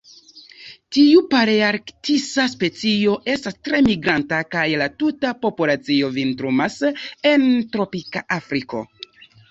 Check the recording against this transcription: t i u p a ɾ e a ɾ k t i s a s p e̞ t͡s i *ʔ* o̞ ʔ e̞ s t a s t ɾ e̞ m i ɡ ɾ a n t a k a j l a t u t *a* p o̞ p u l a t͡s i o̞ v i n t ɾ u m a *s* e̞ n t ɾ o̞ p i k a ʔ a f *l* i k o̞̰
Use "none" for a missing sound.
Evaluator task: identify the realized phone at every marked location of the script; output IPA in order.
none, a, s, ɾ

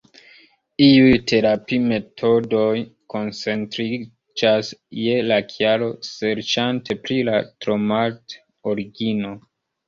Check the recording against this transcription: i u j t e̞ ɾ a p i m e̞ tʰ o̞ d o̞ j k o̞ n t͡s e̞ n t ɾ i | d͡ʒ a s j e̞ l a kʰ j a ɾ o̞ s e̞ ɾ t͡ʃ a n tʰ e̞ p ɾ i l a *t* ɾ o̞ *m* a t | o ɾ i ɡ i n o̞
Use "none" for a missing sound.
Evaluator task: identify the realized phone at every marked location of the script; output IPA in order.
t, m

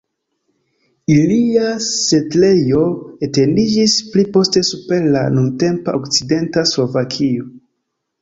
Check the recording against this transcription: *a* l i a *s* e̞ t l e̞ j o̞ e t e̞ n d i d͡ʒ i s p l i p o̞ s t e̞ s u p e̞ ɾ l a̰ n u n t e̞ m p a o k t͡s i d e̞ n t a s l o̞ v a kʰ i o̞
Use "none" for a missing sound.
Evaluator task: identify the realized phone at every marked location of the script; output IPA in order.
i, s

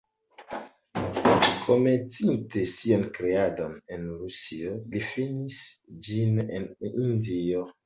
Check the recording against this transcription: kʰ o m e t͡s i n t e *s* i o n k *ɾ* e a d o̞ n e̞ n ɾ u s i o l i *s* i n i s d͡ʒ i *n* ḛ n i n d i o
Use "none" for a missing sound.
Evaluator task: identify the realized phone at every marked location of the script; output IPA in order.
s, ɾ, f, n

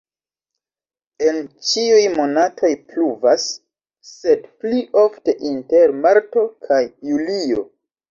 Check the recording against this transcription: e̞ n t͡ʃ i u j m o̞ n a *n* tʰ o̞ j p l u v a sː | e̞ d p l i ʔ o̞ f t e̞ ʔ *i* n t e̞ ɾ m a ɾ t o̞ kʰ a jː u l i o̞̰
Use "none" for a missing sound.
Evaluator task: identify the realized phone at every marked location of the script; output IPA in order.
none, i

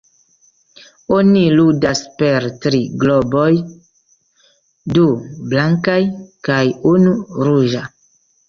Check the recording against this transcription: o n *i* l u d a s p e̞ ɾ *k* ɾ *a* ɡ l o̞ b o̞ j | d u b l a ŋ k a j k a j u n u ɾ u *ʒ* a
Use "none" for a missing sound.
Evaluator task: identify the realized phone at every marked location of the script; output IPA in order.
i, t, i, ʒ

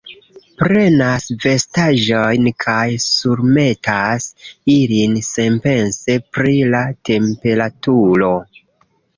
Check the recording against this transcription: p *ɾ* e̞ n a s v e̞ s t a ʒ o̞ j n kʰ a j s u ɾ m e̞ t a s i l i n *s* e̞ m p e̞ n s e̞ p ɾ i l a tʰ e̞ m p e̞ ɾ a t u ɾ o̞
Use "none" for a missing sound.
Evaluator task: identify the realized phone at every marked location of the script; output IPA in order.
ɾ, s

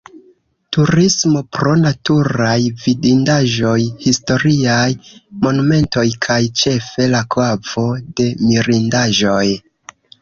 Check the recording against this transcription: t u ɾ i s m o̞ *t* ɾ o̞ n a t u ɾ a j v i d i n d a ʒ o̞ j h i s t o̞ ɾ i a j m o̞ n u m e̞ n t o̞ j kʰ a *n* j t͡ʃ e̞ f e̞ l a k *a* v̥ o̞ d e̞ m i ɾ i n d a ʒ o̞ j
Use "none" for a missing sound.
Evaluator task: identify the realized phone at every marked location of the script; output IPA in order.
p, none, a

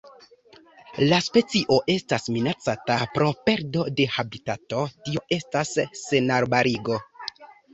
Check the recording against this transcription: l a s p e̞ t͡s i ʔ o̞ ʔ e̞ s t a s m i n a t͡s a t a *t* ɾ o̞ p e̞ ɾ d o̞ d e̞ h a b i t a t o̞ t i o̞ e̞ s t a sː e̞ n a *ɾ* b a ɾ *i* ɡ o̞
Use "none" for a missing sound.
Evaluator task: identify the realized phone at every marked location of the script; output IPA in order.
p, ɾ, i

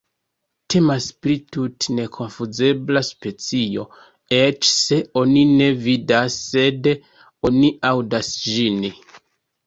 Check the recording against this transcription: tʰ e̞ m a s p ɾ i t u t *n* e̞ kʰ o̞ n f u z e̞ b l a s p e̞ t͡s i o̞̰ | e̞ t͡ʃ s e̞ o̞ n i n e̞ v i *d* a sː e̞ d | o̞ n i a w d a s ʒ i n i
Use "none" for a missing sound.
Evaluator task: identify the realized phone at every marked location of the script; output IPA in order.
n, d

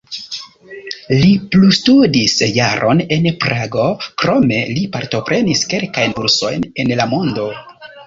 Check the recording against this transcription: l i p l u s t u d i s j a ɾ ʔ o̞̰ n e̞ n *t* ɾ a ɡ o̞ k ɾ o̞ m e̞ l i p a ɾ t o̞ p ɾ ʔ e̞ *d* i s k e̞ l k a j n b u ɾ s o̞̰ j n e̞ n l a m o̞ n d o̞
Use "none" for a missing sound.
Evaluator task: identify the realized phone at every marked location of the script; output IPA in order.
p, n

